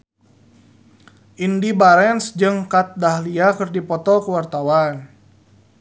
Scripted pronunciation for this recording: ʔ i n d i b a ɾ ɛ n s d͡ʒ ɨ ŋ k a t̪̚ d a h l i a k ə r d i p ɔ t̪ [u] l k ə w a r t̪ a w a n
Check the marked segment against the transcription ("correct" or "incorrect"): incorrect